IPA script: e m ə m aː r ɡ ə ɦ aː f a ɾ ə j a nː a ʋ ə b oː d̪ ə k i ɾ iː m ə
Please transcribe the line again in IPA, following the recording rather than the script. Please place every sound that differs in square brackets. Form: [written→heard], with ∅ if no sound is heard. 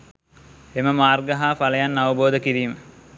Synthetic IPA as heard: e m ə m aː r ɡ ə ɦ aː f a [ɾ→l] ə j a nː a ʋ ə b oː d̪ ə k i ɾ iː m ə